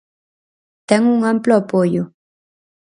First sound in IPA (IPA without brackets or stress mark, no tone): t̪